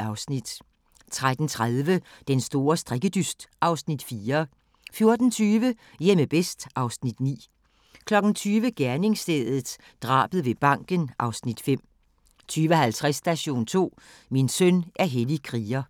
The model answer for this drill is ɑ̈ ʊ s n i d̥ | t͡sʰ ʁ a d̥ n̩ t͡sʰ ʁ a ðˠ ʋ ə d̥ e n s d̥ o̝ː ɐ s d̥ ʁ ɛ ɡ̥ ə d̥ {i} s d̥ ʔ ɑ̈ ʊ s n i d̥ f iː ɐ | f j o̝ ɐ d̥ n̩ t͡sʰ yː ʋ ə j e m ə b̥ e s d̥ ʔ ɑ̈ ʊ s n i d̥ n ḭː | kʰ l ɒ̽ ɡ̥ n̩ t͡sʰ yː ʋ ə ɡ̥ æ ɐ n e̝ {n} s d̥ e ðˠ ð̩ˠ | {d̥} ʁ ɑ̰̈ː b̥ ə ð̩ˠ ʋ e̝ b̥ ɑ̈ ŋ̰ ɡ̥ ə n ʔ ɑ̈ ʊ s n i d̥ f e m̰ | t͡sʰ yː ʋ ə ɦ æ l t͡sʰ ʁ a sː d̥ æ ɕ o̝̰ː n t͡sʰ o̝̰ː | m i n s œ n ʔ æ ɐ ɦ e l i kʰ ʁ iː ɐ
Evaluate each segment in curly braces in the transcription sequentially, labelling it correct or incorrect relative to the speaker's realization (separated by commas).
incorrect, incorrect, correct